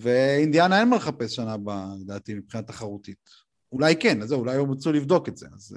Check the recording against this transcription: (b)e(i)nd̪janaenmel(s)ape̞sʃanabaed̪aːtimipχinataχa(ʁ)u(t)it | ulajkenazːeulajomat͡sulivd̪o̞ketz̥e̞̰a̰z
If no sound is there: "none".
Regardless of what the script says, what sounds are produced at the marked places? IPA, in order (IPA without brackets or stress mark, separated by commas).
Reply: v, i, χ, ʁ, t